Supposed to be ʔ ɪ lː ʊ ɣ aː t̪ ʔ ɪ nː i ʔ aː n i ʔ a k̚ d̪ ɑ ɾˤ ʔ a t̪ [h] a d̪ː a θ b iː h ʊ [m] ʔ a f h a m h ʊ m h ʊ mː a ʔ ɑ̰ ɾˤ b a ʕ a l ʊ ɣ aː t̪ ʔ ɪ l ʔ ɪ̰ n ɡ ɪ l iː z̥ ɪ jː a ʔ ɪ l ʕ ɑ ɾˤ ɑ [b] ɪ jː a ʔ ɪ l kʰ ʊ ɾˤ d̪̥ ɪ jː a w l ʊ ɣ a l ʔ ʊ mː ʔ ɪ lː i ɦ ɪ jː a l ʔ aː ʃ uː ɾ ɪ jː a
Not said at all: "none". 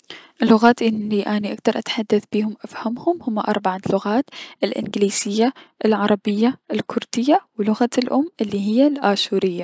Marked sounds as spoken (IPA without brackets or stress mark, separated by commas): ħ, m, b